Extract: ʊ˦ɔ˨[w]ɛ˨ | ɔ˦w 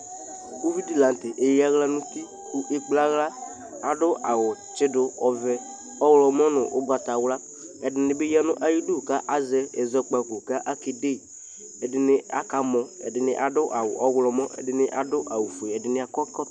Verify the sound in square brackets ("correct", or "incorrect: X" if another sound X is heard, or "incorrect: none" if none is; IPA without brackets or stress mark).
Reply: incorrect: v